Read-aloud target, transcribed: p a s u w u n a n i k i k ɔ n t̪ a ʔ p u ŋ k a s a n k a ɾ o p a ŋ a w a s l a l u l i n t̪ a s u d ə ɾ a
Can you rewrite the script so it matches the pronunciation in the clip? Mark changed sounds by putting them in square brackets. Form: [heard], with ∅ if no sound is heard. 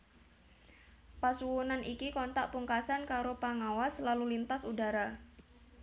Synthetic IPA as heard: p a s u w u n a n i k i k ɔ n t̪ a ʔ p u ŋ k a s a n k a ɾ o p a ŋ a w a s l a l u l i n t̪ a s u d [a] ɾ a